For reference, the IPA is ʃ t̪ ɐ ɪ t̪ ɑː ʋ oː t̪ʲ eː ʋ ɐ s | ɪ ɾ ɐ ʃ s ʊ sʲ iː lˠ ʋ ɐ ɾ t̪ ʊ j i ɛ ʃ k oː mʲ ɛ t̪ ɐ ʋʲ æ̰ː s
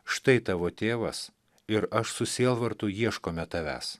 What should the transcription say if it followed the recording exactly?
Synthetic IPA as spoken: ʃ t̪ ɐ ɪ t̪ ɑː ʋ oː t̪ʲ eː ʋ ɐ s | ɪ ɾ ɐ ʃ s ʊ sʲ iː lˠ ʋ ɐ ɾ t̪ ʊ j i ɛ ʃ k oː mʲ ɛ t̪ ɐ ʋʲ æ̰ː s